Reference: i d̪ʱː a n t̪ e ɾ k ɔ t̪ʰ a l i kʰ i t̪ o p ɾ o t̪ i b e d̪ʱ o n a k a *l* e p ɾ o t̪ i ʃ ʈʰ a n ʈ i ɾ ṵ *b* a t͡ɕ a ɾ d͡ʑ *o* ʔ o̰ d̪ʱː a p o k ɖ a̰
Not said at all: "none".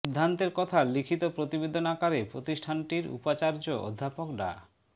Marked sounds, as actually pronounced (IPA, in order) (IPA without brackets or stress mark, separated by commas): ɾ, p, o